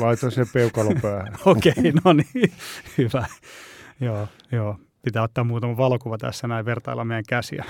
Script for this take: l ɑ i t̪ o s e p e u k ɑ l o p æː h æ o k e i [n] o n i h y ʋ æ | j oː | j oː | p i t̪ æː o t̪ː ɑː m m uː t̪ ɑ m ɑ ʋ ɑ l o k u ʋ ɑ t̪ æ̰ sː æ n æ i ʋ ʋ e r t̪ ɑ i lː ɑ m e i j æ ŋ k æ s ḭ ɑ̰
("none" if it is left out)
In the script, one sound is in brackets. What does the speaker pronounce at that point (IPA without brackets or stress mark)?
n